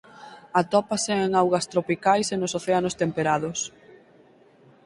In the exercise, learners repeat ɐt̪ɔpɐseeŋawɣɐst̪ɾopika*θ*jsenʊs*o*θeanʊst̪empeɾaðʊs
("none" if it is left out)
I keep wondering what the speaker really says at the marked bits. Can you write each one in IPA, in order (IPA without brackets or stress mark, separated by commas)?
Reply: none, o